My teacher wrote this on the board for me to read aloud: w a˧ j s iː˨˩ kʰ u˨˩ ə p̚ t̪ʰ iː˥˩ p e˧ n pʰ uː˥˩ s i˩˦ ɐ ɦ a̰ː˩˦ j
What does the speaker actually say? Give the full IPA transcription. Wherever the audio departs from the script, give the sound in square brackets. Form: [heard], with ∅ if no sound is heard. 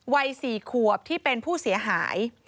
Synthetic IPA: w a˧ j s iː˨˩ kʰ u˨˩ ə p̚ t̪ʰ iː˥˩ p e˧ n pʰ uː˥˩ s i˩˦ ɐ ɦ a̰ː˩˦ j

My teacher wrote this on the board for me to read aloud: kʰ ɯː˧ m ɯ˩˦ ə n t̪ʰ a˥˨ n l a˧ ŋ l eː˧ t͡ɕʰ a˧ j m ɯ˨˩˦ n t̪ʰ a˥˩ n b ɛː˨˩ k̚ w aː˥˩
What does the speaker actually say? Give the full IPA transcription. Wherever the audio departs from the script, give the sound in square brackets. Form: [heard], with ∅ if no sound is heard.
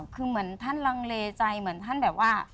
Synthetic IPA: kʰ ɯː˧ m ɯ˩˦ ə n t̪ʰ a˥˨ n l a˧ ŋ l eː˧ [t͡ɕ] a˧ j m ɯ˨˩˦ n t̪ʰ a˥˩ n b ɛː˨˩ [p̚] w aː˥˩

